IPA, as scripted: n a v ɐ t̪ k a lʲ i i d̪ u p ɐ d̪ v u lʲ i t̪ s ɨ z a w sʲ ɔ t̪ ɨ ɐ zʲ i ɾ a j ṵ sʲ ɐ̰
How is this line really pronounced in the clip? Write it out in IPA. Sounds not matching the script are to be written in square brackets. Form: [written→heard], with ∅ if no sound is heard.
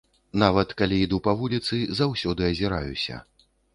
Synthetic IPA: n a v ɐ t̪ k a lʲ i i d̪ u p ɐ [d̪→∅] v u lʲ i t̪ s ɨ z a w sʲ ɔ [t̪→d̪] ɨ ɐ zʲ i ɾ a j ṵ sʲ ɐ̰